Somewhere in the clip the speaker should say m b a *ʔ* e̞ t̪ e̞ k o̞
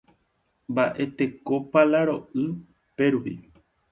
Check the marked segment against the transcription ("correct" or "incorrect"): correct